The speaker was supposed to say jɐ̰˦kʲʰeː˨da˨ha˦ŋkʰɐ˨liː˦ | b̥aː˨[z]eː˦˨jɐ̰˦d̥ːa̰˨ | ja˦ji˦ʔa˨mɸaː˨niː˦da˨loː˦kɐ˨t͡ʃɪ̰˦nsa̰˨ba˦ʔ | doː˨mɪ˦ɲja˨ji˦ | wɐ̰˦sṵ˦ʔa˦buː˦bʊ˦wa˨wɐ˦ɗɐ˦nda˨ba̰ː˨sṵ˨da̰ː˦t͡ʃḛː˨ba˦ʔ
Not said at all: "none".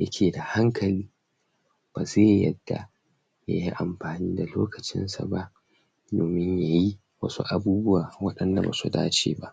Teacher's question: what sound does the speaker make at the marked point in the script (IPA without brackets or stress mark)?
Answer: z